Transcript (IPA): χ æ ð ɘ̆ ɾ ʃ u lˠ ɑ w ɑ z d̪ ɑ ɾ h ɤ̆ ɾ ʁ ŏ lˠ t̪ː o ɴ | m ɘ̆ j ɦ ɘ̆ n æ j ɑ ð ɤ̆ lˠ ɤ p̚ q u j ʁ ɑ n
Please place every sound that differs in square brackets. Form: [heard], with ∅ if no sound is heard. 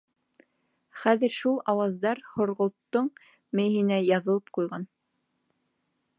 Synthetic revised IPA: χ æ ð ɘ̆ ɾ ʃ u lˠ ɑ w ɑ z d̪ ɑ ɾ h [ŏ] ɾ ʁ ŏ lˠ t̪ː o ɴ | m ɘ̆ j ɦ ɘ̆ n æ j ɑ ð ɤ̆ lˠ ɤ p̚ q u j ʁ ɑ n